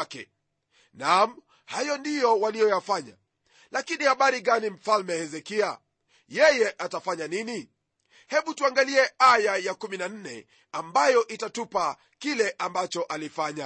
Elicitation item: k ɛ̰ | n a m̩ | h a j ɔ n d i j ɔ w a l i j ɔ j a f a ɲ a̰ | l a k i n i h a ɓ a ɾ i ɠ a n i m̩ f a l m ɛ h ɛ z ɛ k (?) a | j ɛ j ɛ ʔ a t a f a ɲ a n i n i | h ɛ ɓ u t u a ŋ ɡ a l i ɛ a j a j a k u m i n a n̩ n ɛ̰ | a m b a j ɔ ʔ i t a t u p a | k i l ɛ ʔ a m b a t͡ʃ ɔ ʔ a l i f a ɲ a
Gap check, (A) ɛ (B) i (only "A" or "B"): B